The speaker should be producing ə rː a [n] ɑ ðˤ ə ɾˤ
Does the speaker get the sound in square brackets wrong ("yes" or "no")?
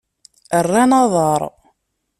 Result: no